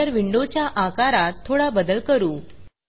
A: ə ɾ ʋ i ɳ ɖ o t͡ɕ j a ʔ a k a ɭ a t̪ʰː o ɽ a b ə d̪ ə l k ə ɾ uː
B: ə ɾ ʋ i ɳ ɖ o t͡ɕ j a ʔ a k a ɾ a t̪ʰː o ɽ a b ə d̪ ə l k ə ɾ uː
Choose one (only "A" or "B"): B